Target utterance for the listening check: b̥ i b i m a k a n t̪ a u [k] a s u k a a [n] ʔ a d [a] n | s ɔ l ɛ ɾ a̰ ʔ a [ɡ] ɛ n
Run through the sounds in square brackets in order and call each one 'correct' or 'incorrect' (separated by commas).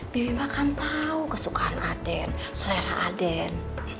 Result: correct, correct, incorrect, incorrect